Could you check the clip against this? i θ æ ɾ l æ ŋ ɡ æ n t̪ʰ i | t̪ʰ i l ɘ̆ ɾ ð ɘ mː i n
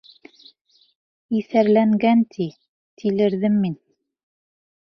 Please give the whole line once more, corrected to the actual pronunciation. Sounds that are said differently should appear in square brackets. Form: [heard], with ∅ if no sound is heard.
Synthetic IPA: i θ æ ɾ l æ ŋ ɡ æ n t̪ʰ i | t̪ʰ i l ɘ̆ ɾ ð ɘ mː i n